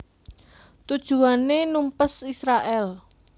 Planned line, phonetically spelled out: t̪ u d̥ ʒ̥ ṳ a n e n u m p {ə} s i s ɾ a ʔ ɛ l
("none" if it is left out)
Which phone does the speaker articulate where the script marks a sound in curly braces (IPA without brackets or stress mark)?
ə